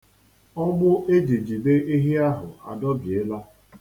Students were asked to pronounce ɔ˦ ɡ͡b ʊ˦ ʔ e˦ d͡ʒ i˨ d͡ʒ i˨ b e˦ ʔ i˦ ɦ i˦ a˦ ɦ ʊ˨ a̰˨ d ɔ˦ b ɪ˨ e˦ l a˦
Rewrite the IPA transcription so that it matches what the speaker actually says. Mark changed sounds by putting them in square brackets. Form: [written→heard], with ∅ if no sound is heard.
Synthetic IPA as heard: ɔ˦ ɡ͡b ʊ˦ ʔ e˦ d͡ʒ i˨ d͡ʒ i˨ b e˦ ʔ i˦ ɦ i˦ a˦ ɦ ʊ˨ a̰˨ d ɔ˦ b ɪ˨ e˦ l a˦